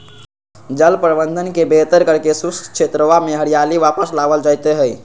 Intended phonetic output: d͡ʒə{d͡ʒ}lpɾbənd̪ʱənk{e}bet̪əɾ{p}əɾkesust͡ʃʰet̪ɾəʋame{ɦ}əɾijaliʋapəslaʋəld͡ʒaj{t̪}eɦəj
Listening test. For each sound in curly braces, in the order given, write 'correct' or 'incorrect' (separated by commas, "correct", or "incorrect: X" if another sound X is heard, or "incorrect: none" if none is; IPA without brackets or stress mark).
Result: incorrect: none, correct, incorrect: k, correct, correct